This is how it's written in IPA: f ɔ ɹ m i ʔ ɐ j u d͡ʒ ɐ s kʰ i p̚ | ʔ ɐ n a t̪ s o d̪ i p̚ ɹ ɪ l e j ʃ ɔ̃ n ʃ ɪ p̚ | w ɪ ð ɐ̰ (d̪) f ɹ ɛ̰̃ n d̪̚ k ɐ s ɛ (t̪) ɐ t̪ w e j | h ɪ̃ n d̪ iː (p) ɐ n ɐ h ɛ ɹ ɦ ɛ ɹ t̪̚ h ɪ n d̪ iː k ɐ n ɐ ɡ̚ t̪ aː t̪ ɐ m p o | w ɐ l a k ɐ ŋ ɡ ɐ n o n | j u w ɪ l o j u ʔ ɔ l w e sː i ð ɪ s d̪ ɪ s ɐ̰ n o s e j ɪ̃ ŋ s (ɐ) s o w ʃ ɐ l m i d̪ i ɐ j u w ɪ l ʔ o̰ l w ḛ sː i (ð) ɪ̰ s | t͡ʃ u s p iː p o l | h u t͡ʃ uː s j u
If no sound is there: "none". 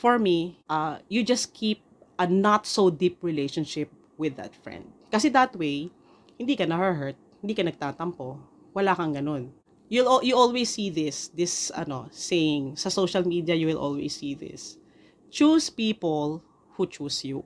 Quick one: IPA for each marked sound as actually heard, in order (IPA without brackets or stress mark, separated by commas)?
t̪, d̪, k, ɐ, ð